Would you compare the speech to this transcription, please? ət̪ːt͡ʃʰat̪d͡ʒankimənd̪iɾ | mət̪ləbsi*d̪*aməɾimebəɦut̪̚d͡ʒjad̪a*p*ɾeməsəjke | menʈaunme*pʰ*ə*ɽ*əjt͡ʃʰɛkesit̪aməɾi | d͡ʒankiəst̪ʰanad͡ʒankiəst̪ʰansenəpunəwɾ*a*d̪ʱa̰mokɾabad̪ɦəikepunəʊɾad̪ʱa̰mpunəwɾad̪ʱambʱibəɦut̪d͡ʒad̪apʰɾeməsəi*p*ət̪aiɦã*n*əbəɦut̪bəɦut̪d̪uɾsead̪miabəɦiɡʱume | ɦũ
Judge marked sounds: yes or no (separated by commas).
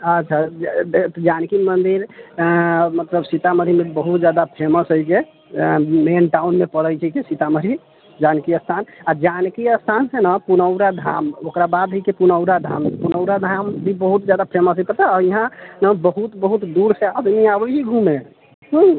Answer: no, no, no, yes, yes, yes, yes